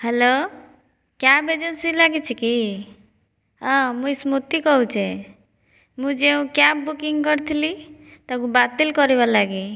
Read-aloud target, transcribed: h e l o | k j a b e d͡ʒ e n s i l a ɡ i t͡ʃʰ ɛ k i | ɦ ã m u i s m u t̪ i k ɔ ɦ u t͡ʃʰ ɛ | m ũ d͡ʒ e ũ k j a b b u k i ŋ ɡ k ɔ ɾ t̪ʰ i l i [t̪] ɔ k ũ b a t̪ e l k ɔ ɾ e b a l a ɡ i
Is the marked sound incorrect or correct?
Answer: correct